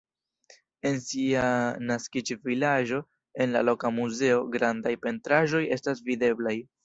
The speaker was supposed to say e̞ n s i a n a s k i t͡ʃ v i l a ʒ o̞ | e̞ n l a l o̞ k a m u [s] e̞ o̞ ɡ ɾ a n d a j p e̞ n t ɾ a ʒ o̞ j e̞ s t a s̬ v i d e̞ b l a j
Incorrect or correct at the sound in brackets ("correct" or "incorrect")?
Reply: incorrect